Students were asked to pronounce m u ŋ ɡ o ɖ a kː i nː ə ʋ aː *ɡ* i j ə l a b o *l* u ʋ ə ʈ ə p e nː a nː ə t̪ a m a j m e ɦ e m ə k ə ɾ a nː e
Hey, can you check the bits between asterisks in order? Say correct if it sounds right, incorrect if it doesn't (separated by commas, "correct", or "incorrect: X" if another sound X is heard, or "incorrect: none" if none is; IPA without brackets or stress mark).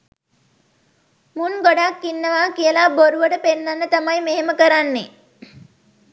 incorrect: k, incorrect: ɾ